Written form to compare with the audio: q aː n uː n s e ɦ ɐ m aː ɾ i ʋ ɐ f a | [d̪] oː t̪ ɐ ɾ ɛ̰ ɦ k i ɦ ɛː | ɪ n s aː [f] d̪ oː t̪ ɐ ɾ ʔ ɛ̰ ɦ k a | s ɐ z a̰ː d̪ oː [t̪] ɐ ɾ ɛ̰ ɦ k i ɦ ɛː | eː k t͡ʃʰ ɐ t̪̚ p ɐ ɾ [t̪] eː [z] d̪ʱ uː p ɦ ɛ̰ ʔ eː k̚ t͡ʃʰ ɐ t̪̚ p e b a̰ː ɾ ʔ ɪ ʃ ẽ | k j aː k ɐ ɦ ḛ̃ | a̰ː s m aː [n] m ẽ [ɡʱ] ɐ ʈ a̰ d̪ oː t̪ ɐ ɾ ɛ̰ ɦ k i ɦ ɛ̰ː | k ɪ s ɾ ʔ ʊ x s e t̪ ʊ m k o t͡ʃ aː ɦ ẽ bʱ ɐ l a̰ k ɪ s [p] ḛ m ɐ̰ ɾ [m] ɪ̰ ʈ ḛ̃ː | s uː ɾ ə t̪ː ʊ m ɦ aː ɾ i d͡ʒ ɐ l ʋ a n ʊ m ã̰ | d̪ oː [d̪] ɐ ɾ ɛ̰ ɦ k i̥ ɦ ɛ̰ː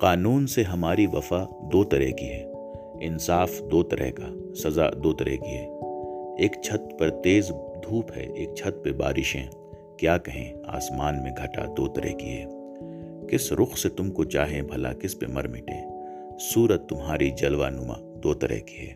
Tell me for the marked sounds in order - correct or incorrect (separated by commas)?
correct, correct, correct, correct, correct, correct, correct, correct, correct, incorrect